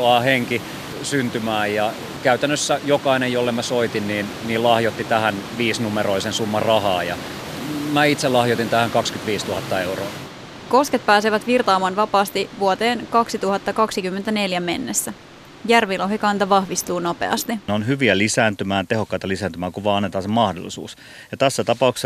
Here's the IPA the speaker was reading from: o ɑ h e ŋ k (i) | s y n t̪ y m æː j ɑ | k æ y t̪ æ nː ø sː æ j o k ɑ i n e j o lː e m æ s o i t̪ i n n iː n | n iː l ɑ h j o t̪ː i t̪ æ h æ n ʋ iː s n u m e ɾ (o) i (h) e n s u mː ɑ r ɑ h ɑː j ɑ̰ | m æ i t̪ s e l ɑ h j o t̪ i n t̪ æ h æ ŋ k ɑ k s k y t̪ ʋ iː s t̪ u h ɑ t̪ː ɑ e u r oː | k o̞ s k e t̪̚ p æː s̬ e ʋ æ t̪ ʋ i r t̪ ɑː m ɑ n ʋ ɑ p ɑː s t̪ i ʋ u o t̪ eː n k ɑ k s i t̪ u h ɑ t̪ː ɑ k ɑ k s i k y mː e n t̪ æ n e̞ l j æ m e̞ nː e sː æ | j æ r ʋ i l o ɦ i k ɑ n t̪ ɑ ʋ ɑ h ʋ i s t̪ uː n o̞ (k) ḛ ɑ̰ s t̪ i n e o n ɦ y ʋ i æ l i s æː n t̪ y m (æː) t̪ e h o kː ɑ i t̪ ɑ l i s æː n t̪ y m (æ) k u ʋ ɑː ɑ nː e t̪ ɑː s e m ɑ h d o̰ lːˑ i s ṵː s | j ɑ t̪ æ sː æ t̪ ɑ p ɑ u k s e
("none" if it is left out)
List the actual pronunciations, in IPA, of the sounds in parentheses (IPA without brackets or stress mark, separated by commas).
i, o, s, p, æː, æː